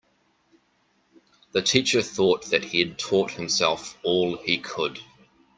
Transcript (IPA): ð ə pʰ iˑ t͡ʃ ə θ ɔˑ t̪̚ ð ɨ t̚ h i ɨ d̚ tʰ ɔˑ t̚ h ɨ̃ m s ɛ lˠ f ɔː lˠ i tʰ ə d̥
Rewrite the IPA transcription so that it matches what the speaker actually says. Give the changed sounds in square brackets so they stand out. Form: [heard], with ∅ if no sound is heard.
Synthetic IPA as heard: ð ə [tʰ] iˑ t͡ʃ ə θ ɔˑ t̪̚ ð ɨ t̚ h i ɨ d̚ tʰ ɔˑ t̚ h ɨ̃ m s ɛ lˠ f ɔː lˠ i [kʰ] ə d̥